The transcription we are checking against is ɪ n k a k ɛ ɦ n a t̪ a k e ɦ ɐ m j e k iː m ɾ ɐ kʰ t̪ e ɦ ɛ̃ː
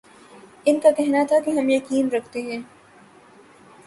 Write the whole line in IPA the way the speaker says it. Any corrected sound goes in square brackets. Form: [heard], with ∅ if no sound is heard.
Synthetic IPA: ɪ n k a k ɛ ɦ n a [t̪ʰ] a k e ɦ ɐ m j e k iː m ɾ ɐ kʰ t̪ e ɦ ɛ̃ː